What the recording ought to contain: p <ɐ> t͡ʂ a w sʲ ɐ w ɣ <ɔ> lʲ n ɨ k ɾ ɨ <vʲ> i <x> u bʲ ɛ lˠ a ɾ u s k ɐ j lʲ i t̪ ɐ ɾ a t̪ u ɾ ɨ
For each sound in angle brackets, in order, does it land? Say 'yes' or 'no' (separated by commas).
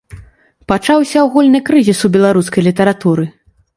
no, no, no, no